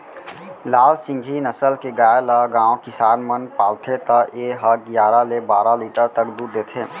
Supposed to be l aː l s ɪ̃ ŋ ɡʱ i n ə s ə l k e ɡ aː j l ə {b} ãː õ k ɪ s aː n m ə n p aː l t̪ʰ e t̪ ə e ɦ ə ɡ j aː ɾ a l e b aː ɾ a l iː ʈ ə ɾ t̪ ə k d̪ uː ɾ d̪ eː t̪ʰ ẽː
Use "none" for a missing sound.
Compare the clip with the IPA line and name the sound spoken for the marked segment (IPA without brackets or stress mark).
ɡ